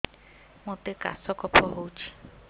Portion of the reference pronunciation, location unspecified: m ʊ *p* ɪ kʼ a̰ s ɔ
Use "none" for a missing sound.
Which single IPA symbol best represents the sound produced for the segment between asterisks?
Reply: t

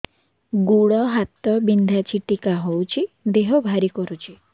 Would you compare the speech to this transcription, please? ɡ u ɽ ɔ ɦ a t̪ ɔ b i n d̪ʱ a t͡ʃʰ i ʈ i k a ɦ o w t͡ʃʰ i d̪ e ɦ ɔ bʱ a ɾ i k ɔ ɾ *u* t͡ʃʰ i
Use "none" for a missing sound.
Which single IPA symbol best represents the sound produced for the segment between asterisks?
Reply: u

